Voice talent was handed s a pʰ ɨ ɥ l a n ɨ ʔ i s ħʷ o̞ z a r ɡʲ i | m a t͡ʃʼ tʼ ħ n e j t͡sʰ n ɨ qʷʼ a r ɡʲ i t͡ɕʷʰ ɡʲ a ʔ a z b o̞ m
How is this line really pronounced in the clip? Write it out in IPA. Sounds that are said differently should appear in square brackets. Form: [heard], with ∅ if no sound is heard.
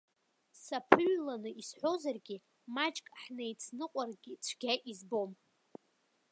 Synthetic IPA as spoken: s a pʰ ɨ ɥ l a n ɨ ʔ i s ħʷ o̞ z a r ɡʲ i | m a t͡ʃʼ [kʼ] ħ n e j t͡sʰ n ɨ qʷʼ a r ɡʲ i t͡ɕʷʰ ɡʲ a ʔ [i] z b o̞ m